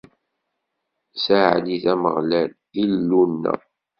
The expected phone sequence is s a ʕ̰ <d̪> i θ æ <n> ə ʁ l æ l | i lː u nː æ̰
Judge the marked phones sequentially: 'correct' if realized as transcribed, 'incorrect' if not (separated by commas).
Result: correct, incorrect